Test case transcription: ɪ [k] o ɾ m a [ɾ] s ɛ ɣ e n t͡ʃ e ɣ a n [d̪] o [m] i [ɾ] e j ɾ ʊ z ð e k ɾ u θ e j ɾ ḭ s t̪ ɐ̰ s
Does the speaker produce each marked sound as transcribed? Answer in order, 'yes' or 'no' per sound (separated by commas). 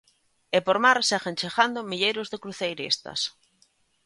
no, yes, yes, yes, no